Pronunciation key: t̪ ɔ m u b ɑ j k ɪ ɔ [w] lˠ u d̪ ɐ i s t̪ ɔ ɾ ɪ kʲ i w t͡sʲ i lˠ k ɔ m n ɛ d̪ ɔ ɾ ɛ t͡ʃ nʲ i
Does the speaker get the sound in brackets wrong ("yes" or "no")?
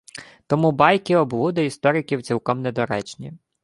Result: yes